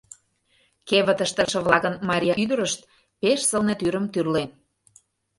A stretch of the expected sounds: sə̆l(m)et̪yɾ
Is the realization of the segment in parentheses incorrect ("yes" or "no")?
yes